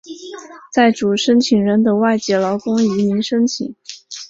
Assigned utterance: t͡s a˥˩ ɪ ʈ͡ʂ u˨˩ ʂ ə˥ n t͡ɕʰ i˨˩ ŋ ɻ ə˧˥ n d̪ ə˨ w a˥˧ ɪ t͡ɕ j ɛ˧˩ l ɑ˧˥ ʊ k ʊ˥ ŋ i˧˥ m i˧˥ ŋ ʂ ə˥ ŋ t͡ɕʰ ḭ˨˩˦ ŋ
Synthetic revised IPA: t͡s a˥˩ ɪ ʈ͡ʂ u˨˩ ʂ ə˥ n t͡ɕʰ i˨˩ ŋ ɻ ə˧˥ n d̪ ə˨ w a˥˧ ɪ t͡ɕ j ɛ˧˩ l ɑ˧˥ ʊ k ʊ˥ ŋ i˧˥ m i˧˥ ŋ ʂ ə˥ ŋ t͡ɕʰ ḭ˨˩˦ ŋ